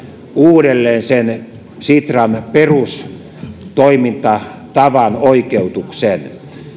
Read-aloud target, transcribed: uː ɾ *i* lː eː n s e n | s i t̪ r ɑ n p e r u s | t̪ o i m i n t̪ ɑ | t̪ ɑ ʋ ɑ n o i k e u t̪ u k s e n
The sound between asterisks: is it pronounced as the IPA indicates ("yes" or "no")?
no